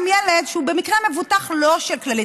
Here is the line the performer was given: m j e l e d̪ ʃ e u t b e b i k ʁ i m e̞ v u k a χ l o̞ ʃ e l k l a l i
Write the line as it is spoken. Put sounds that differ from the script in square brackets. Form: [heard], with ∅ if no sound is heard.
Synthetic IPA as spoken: m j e l e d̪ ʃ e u [∅] b e [m] i k ʁ [e] m e̞ v u [t] a χ l o̞ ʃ e l k l a l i